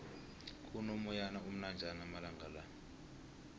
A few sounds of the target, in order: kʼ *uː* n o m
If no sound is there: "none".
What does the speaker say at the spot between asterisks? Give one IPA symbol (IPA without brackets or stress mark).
u